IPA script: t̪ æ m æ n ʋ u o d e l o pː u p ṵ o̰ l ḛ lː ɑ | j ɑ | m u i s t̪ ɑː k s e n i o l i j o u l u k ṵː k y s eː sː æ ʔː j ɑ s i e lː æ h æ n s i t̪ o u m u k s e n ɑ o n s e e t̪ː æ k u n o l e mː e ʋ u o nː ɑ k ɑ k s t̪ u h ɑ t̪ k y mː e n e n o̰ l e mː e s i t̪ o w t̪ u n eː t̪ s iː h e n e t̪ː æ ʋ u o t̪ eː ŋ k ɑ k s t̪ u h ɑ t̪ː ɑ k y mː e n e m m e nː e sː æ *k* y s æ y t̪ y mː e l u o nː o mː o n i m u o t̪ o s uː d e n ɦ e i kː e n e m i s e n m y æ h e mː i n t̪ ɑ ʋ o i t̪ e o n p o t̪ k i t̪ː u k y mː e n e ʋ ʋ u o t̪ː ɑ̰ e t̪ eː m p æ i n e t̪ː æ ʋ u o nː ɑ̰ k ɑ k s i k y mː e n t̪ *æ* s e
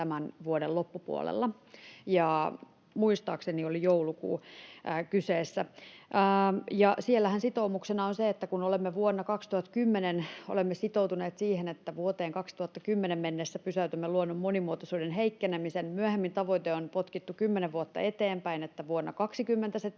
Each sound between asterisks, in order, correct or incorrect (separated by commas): incorrect, correct